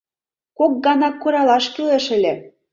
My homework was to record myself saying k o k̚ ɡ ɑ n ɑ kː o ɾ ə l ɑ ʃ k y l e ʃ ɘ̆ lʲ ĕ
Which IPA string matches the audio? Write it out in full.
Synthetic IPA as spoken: k o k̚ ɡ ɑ n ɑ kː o ɾ ɑ l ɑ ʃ k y l e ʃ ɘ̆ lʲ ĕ